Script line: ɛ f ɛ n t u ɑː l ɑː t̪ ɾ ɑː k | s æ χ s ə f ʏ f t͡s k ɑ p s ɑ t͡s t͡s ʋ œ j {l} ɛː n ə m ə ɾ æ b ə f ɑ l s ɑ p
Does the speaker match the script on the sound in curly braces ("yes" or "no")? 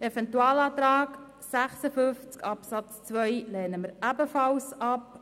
yes